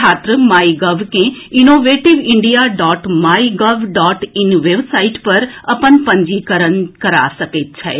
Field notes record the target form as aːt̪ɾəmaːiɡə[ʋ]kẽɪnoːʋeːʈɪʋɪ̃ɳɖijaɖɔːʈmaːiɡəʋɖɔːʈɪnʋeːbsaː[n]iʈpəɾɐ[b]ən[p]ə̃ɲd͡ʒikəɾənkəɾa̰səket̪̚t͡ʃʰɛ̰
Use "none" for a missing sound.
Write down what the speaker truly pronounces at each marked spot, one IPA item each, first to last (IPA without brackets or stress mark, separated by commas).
ʋ, none, p, p